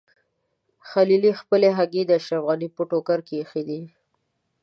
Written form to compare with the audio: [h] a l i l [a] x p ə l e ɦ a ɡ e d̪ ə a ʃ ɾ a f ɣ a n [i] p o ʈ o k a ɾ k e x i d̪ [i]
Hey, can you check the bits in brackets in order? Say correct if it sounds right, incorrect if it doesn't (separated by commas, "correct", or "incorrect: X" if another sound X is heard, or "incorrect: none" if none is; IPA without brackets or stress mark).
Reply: incorrect: x, incorrect: i, correct, correct